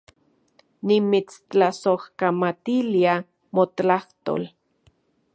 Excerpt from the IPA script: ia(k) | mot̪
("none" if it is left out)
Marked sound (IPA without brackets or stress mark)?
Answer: none